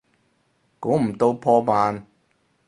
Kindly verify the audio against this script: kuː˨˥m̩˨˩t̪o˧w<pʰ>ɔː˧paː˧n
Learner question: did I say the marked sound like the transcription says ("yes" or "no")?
yes